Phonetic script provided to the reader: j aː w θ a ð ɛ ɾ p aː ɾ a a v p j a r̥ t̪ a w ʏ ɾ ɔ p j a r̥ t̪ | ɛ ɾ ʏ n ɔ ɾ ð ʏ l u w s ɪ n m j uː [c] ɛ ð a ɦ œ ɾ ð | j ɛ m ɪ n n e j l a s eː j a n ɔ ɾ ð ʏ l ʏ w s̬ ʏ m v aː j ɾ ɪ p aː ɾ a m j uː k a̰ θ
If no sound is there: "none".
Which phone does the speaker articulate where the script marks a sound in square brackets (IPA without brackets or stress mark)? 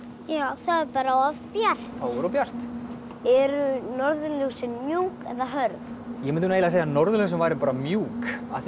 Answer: k